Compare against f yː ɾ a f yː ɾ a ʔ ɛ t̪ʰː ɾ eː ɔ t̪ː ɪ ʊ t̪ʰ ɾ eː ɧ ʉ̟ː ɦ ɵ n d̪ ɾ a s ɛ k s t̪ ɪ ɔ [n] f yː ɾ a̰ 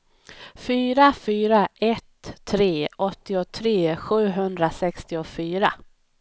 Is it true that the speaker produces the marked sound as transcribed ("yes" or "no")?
no